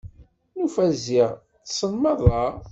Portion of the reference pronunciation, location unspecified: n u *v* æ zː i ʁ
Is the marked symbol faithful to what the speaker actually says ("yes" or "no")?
no